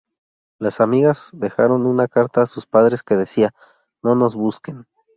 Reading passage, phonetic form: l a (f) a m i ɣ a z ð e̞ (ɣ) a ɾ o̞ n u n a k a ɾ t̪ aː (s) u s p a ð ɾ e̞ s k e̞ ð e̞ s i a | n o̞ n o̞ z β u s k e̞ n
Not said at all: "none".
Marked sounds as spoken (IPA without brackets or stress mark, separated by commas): s, x, s